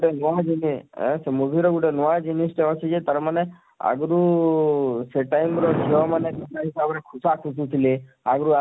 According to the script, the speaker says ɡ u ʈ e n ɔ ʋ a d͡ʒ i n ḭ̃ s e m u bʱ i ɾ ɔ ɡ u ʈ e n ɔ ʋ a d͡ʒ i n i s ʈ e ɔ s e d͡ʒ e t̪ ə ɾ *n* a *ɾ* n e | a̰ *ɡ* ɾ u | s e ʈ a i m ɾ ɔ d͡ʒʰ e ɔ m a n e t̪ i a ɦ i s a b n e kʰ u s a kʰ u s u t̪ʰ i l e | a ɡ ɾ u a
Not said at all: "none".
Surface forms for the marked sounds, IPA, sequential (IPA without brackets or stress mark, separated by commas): m, none, ɡ